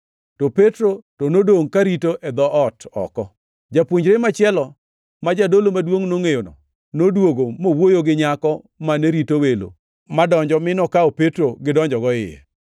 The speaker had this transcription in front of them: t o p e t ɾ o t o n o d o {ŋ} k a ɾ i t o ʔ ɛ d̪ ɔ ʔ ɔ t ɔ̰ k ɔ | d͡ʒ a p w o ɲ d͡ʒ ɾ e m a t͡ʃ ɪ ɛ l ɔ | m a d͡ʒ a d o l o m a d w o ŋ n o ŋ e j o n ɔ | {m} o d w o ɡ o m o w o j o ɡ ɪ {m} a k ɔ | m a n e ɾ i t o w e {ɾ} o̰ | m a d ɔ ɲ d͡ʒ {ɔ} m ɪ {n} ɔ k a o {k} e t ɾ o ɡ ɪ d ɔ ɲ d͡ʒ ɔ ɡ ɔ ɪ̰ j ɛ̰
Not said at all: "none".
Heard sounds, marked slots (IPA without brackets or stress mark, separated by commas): ŋ, n, ɲ, l, ɔ, n, p